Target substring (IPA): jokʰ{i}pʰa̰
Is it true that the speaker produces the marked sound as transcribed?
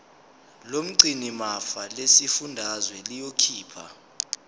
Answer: no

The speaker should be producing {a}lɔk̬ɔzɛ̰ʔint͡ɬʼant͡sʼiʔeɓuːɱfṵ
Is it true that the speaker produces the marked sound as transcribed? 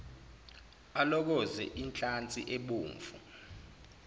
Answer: yes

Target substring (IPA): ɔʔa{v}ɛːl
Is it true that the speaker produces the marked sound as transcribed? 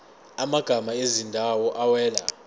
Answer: no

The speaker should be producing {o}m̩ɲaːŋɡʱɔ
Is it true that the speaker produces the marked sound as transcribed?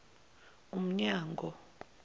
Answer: no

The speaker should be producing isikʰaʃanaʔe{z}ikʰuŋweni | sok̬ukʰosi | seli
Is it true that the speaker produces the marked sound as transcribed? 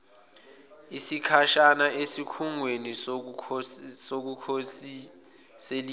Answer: no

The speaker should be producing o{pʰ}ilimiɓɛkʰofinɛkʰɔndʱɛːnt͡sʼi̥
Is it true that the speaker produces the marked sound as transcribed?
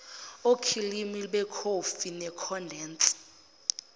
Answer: no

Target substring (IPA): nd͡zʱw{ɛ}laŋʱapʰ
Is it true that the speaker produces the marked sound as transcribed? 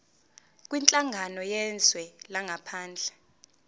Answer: yes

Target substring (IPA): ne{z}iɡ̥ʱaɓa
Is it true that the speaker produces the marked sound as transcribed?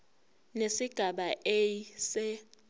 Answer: no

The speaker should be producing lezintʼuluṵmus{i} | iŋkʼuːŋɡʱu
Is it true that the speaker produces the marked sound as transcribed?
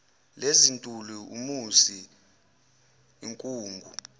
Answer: yes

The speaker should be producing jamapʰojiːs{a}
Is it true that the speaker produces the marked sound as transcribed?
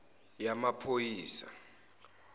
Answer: yes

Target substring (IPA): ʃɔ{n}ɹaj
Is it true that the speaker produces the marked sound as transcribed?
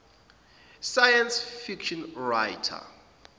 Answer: yes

